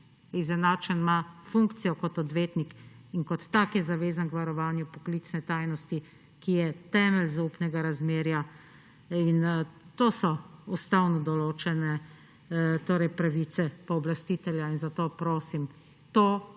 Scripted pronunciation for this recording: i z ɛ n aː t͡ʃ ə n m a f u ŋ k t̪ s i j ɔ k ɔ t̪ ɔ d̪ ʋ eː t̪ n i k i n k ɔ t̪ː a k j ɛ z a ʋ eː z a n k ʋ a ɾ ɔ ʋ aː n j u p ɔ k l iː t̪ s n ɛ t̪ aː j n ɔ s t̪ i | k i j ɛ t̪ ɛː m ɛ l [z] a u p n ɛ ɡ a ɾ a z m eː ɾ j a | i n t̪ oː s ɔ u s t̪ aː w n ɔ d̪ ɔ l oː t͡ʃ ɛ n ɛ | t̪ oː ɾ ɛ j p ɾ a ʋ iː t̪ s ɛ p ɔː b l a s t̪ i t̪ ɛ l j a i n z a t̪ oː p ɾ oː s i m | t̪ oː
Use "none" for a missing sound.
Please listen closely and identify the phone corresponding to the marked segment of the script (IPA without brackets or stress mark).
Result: z